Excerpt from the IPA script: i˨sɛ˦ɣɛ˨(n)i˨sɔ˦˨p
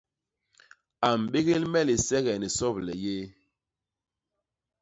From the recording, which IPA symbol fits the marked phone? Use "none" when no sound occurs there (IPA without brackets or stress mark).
n